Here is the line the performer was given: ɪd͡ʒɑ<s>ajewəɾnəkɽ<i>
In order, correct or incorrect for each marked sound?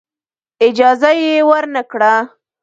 incorrect: z, incorrect: a

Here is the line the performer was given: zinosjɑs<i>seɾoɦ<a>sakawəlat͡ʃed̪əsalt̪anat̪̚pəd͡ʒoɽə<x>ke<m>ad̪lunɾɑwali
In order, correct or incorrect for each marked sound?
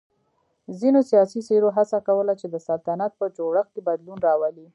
correct, correct, correct, incorrect: b

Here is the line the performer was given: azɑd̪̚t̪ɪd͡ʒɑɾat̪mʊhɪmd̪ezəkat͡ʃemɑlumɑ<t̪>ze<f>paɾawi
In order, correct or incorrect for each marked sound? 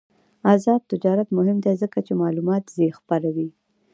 correct, incorrect: x

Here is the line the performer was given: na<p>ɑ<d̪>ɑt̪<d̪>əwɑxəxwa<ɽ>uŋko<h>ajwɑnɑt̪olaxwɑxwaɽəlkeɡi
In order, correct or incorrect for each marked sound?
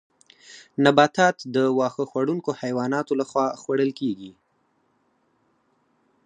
incorrect: b, incorrect: t̪, correct, correct, correct

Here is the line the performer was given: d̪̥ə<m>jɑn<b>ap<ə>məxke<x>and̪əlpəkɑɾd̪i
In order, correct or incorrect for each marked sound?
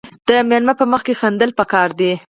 correct, incorrect: m, correct, correct

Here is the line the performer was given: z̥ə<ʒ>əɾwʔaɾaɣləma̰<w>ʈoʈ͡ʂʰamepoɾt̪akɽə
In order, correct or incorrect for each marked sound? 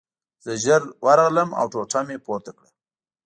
correct, correct

